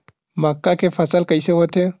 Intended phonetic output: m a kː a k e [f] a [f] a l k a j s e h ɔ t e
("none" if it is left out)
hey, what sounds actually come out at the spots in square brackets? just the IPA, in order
f, s

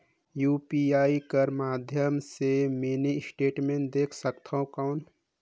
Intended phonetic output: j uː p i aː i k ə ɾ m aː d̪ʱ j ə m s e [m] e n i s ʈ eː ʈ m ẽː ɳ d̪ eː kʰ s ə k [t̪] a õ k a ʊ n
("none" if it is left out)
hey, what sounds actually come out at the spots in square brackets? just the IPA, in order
m, t̪ʰ

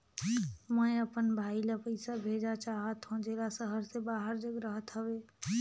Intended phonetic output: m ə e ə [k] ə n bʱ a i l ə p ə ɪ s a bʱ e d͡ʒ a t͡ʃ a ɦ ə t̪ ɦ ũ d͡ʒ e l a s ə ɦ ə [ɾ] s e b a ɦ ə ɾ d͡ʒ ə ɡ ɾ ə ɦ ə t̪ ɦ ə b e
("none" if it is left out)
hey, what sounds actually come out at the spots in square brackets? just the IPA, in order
p, ɾ

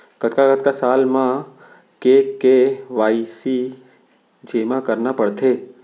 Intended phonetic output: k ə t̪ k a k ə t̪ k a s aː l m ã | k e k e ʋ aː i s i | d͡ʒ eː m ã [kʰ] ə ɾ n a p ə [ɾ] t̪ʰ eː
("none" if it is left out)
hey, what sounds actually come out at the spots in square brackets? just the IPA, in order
k, ɽ

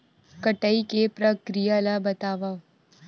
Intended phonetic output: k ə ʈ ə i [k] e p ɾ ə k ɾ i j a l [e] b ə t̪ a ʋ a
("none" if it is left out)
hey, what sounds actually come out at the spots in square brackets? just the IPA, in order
k, a

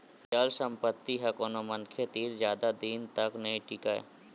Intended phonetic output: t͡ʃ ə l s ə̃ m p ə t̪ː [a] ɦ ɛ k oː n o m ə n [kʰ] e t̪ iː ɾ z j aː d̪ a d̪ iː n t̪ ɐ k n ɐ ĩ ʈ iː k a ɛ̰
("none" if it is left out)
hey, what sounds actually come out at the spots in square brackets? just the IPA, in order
i, kʰ

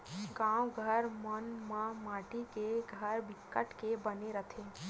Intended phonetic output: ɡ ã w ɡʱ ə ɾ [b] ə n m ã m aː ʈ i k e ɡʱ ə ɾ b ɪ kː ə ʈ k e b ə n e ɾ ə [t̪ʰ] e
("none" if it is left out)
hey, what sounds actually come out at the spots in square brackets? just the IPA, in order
m, t̪ʰ

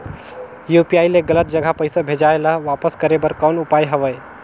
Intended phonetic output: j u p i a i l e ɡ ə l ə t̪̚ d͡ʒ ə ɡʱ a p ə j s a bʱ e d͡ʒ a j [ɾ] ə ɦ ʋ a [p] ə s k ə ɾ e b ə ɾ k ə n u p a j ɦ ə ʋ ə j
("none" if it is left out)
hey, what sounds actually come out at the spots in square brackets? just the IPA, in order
l, p

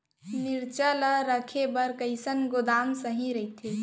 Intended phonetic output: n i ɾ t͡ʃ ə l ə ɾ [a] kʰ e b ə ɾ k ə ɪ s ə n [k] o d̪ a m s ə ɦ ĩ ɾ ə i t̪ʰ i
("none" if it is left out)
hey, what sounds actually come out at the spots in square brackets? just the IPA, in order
ə, ɡ

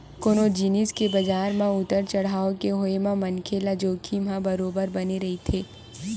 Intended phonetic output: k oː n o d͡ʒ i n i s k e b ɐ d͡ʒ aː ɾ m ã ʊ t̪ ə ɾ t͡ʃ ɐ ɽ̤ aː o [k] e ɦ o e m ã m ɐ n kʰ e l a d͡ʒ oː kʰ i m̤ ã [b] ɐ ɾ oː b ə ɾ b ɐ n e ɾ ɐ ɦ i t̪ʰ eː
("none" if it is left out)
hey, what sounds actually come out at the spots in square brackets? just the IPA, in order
k, b

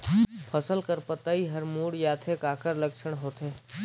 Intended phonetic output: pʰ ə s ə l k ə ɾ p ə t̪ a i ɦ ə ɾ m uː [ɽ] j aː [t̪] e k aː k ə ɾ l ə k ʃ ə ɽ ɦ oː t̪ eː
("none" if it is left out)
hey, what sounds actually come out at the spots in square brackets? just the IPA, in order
ɽ, t̪ʰ

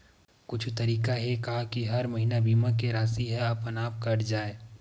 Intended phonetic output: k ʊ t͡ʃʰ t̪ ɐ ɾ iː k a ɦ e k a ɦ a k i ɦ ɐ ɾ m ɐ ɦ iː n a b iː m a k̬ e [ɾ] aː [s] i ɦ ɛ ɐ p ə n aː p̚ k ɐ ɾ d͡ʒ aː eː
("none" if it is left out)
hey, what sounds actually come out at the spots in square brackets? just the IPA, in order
ɾ, s

